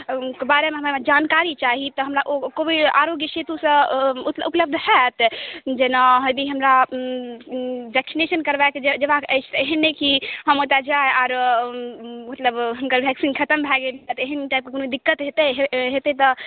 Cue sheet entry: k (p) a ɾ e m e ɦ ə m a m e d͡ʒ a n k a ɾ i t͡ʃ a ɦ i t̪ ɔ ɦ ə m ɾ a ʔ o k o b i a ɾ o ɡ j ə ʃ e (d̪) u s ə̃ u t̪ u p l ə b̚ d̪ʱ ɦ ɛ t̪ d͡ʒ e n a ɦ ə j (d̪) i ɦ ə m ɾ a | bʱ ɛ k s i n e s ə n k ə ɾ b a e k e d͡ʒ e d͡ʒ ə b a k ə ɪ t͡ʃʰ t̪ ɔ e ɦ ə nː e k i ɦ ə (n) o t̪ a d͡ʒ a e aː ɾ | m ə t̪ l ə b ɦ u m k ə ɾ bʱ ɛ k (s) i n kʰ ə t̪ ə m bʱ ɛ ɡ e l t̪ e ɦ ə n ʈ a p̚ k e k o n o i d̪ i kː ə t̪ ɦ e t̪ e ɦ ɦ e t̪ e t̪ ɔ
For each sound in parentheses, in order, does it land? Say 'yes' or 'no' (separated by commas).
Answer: no, no, yes, no, yes